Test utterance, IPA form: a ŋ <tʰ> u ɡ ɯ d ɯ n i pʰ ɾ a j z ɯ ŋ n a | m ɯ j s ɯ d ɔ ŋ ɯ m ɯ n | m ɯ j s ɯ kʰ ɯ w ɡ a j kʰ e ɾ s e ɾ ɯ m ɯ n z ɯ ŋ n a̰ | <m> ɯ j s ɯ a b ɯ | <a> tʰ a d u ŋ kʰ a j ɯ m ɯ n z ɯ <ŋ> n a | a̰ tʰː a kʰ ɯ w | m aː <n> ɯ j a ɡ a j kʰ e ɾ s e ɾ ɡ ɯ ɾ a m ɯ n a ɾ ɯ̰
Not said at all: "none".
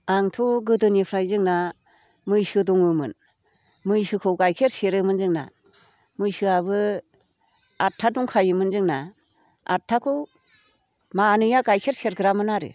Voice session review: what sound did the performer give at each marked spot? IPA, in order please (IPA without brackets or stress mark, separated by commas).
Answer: tʰ, m, a, ŋ, n